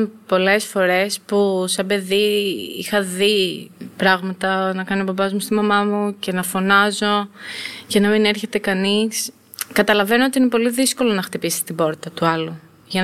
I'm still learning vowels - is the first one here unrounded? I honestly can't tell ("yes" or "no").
no